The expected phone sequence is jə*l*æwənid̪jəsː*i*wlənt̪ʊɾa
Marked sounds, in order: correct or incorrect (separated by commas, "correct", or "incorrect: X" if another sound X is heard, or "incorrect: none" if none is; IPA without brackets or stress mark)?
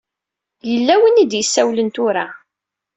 incorrect: lː, incorrect: æ